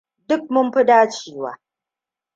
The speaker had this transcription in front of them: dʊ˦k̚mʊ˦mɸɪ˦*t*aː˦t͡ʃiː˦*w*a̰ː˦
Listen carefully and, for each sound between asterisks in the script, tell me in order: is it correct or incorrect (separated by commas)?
incorrect, correct